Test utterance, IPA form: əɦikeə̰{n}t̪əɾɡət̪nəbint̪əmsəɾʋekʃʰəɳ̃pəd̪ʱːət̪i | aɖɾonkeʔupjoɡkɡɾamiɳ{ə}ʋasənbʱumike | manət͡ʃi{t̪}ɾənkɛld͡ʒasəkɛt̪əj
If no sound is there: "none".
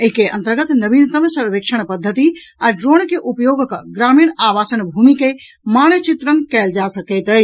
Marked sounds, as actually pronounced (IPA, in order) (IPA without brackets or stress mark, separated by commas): n, a, t̪